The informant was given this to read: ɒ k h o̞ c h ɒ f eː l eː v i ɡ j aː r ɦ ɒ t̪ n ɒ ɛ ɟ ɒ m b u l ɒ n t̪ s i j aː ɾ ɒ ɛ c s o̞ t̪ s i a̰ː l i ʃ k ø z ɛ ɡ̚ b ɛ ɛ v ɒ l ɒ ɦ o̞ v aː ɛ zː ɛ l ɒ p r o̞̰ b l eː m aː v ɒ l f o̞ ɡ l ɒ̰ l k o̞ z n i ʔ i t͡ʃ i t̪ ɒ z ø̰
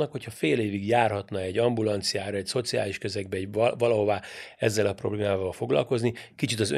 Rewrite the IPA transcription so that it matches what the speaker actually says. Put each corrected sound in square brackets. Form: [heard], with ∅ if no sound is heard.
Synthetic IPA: ɒ k h o̞ c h ɒ f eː l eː v i ɡ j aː r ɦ ɒ t̪ n ɒ ɛ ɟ ɒ m b u l ɒ n t̪ s i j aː ɾ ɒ ɛ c s o̞ t̪ s i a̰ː l i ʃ k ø z ɛ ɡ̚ b ɛ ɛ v ɒ l ɒ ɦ o̞ v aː ɛ zː ɛ l ɒ p r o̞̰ b l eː m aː v ɒ l f o̞ ɡ l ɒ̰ l k o̞ z n i [k] i t͡ʃ i t̪ ɒ z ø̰